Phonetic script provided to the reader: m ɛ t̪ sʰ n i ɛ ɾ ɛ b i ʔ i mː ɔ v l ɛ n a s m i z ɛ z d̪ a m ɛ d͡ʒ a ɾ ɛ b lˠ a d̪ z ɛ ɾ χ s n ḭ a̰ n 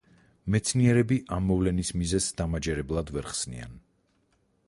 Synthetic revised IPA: m ɛ t̪ sʰ n i ɛ ɾ ɛ b i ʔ a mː ɔ v l ɛ n i s m i z ɛ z d̪ a m a d͡ʒ ɛ ɾ ɛ b lˠ a d̪ v ɛ ɾ χ s n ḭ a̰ n